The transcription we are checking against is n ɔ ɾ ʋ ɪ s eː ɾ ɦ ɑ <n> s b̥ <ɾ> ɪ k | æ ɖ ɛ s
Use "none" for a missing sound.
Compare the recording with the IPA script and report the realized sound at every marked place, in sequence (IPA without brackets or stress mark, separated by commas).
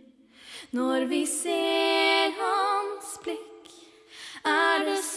n, l